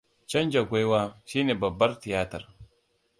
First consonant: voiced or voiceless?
voiceless